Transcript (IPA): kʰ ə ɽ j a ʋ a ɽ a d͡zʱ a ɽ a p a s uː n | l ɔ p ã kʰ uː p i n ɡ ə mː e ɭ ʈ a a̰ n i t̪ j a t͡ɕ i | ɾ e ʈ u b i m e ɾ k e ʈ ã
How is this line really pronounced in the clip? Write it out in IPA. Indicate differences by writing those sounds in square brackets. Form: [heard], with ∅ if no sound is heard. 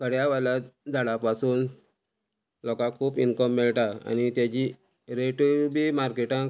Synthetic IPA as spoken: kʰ ə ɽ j a ʋ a [l] a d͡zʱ a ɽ a p a s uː n | l ɔ [k] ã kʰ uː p i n [k] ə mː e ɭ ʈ a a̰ n i t̪ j a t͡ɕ i | ɾ e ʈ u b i m [a] ɾ k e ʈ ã